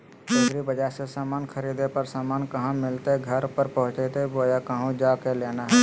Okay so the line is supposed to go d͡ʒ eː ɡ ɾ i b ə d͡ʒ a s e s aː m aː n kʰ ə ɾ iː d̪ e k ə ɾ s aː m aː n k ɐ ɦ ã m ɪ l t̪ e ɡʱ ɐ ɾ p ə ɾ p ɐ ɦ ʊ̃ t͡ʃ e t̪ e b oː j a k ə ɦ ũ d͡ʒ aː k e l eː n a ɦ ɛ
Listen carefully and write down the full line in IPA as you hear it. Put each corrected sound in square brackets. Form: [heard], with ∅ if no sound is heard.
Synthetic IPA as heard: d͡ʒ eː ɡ ɾ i b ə d͡ʒ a s e s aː m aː n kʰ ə ɾ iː d̪ e [p] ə ɾ s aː m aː n k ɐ ɦ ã m ɪ l t̪ e ɡʱ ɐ ɾ p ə ɾ p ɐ ɦ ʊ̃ t͡ʃ e t̪ e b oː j a k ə ɦ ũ d͡ʒ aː k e l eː n a ɦ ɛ